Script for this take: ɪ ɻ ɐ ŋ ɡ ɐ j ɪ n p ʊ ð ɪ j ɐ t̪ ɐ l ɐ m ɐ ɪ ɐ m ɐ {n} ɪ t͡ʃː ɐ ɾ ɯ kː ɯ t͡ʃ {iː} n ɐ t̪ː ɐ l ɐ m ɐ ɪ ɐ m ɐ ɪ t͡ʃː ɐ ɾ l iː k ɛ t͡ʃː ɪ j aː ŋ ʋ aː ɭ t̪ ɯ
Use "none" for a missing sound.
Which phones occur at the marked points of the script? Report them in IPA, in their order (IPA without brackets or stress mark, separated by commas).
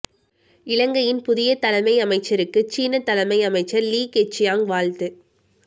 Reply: none, iː